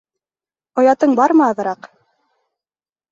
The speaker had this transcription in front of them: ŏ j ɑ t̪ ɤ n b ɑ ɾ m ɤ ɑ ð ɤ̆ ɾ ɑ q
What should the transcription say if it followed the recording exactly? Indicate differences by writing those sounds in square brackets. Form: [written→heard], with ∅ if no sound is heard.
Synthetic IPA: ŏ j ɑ t̪ ɤ [n→ɴ] b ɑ ɾ m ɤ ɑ ð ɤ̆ ɾ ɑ q

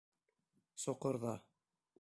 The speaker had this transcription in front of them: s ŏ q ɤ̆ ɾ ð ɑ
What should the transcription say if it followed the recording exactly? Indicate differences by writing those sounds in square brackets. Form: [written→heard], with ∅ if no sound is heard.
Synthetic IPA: s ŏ q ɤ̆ ɾ ð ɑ

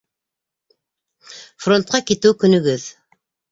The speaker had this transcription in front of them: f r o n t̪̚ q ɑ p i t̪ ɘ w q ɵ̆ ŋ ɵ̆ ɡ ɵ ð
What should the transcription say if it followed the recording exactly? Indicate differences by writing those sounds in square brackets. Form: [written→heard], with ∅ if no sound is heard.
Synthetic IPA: f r o n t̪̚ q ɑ [p→k] i t̪ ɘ w [q→k] ɵ̆ [ŋ→n] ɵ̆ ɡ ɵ ð

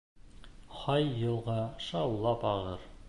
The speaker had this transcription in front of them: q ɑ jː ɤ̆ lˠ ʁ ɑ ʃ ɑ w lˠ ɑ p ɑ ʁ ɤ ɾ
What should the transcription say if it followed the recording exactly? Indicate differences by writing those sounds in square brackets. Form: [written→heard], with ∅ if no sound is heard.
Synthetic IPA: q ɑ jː ɤ̆ lˠ ʁ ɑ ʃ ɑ w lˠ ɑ p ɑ ʁ ɤ ɾ

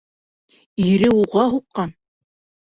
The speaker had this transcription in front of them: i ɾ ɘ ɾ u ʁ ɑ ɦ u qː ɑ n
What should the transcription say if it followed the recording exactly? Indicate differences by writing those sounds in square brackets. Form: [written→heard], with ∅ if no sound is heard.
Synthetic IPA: i ɾ ɘ [ɾ→∅] u ʁ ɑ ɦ u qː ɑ n

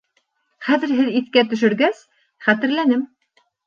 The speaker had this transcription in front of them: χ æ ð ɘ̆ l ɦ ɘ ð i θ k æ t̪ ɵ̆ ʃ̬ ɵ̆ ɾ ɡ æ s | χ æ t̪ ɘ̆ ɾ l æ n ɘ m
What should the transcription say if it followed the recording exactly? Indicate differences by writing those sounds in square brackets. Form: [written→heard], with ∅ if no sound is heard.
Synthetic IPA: χ æ ð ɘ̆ [l→ɾ] ɦ ɘ ð i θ k æ t̪ ɵ̆ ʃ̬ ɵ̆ ɾ ɡ æ s | χ æ t̪ ɘ̆ ɾ l æ n ɘ m

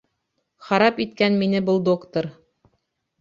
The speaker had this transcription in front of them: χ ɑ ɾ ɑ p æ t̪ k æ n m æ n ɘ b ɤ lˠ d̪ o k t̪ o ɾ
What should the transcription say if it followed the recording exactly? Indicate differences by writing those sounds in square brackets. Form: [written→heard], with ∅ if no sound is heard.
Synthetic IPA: χ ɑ ɾ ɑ p [æ→i] t̪ k æ n m [æ→i] n ɘ b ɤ lˠ d̪ o k t̪ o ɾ

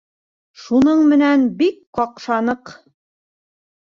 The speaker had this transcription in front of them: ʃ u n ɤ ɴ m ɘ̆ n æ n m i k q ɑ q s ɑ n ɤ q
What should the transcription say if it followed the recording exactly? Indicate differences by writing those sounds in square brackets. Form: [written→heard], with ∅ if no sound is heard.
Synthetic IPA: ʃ u n ɤ ɴ m ɘ̆ n æ n [m→b] i k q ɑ q [s→ʃ] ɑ n ɤ q

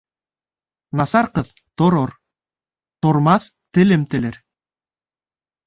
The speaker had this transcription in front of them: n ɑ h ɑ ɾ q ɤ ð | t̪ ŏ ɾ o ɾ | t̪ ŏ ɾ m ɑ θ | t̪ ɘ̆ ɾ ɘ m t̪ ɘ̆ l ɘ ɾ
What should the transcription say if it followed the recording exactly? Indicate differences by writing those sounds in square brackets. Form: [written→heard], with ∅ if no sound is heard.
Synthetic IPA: n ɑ [h→s] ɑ ɾ q ɤ ð | t̪ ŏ ɾ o ɾ | t̪ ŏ ɾ m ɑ θ | t̪ ɘ̆ [ɾ→l] ɘ m t̪ ɘ̆ l ɘ ɾ

